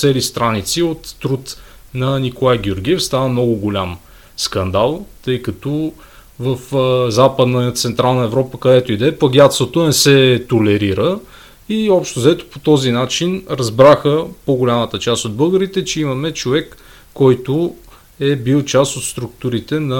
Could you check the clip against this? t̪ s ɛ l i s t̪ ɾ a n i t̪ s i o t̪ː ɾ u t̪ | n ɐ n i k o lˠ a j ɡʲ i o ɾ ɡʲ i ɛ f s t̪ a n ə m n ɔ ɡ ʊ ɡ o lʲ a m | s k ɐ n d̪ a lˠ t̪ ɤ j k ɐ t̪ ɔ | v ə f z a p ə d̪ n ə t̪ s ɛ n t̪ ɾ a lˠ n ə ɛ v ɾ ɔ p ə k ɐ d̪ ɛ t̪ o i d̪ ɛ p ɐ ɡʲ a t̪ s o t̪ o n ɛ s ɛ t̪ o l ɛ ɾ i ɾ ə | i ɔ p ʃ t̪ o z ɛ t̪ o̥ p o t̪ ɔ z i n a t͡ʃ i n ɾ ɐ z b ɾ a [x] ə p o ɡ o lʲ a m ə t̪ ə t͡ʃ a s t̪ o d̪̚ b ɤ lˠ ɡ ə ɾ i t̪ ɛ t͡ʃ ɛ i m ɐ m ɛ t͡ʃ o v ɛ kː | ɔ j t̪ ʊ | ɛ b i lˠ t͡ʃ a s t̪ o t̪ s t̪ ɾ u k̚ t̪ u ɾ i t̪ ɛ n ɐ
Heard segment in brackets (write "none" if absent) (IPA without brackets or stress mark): x